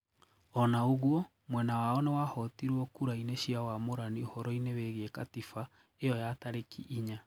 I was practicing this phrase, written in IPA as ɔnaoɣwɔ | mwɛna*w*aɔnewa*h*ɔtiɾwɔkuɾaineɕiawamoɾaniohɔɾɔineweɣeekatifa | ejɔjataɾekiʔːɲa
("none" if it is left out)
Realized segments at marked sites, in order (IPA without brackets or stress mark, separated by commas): w, h